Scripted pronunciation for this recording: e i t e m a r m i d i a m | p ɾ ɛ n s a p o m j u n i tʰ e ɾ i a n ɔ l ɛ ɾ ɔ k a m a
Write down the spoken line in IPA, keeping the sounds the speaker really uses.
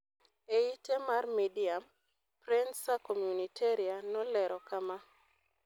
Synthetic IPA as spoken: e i t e m a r m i d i a m | p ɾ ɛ n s a k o m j u n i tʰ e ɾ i a n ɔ l ɛ ɾ ɔ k a m a